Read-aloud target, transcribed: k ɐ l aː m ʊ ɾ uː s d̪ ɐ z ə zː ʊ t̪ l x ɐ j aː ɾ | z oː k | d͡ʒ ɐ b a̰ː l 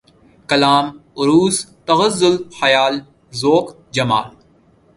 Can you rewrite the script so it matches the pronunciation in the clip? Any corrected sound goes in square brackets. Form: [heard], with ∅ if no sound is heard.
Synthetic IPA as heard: k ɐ l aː m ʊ ɾ uː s [t̪] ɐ [ɣ] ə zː ʊ [∅] l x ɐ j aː [l] | z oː k | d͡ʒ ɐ [m] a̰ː l

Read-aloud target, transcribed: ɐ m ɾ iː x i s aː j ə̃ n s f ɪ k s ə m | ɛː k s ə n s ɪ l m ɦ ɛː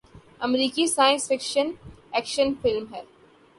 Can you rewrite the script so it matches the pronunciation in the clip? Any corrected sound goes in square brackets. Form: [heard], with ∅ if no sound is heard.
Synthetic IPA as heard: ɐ m ɾ iː [k] i s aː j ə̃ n s f ɪ k [ʃ] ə [n] | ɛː k [ʃ] ə n [f] ɪ l m ɦ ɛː

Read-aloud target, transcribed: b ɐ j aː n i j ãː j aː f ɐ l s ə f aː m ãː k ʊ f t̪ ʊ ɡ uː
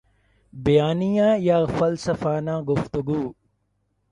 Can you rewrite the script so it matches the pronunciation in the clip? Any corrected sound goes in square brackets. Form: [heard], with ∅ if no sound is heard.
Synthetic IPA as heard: b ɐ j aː n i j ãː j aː f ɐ l s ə f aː [n] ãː [ɡ] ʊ f t̪ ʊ ɡ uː

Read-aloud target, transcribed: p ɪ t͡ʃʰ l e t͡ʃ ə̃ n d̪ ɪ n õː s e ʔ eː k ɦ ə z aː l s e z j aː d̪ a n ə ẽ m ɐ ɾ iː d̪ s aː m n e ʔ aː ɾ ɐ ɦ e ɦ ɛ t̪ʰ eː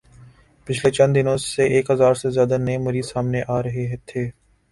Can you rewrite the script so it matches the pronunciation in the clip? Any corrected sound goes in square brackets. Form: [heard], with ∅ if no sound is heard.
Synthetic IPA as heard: p ɪ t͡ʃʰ l e t͡ʃ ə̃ n d̪ ɪ n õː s e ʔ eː k ɦ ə z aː [ɾ] s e z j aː d̪ a n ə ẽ m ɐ ɾ iː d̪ s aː m n e ʔ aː ɾ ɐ ɦ e ɦ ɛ t̪ʰ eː

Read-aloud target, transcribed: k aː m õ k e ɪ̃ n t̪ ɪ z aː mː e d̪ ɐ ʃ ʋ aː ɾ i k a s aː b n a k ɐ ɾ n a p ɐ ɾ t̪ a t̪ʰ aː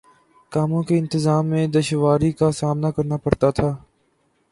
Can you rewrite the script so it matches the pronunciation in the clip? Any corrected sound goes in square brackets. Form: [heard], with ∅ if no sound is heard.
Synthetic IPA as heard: k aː m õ k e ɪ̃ n t̪ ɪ z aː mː [ẽ] d̪ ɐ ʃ ʋ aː ɾ i k a s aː [m] n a k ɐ ɾ n a p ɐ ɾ t̪ a t̪ʰ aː

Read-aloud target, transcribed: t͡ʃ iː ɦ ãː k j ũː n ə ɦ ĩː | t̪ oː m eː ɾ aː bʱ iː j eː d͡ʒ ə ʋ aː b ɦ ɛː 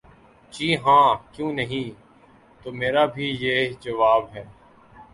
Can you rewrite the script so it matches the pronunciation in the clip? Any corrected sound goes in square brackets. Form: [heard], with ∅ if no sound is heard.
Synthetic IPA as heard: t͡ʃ iː ɦ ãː k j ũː n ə ɦ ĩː | t̪ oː m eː ɾ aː bʱ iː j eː d͡ʒ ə ʋ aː b ɦ ɛː

